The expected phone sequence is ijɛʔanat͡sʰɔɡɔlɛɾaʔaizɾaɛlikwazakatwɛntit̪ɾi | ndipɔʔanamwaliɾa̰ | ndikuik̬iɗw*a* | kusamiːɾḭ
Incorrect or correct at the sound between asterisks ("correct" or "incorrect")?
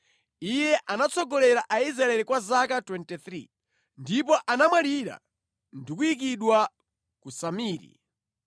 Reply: correct